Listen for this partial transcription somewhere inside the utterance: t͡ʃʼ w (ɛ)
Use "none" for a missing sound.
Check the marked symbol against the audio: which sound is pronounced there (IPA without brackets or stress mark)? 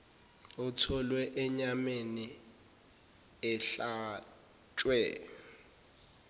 ɛ